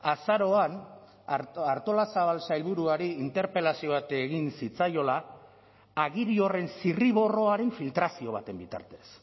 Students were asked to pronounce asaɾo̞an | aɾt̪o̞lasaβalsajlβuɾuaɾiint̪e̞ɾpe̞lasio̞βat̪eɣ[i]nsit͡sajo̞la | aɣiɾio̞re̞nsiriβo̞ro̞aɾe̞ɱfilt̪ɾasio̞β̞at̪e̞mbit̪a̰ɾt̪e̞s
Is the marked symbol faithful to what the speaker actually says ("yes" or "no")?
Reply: yes